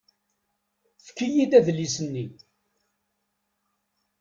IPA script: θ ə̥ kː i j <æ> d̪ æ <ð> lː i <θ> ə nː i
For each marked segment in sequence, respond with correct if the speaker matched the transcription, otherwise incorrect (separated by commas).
incorrect, correct, incorrect